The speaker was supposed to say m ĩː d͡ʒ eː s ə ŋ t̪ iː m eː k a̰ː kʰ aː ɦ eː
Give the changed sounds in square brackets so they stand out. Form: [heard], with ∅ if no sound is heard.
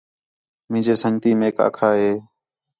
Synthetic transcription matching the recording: m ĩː d͡ʒ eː s ə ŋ t̪ iː m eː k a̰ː kʰ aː ɦ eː